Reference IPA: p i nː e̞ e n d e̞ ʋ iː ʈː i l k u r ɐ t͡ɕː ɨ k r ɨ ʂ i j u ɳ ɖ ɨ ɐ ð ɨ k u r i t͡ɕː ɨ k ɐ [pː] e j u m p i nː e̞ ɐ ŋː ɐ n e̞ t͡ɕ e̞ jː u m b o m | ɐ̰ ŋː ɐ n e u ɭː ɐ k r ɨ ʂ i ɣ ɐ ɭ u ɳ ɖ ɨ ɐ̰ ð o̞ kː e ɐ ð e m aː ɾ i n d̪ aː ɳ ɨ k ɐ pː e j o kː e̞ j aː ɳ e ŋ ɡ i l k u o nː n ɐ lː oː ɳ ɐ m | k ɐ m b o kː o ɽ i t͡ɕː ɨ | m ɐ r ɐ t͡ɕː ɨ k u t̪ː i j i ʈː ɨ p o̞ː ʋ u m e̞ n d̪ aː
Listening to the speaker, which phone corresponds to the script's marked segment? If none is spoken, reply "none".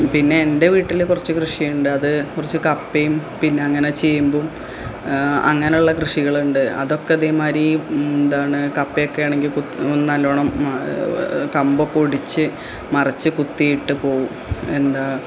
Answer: pː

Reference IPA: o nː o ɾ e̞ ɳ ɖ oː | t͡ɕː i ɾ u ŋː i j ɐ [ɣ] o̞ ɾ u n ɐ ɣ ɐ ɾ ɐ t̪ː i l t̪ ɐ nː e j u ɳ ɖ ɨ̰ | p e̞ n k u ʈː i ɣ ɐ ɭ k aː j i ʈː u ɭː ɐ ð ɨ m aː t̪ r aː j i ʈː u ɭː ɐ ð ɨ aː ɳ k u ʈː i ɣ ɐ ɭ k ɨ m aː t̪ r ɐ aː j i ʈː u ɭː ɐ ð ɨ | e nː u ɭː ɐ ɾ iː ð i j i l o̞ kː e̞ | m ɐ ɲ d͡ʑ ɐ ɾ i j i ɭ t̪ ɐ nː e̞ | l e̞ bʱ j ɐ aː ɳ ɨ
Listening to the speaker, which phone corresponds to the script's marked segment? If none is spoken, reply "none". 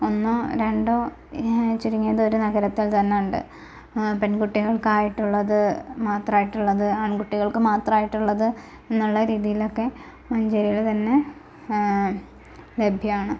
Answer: ð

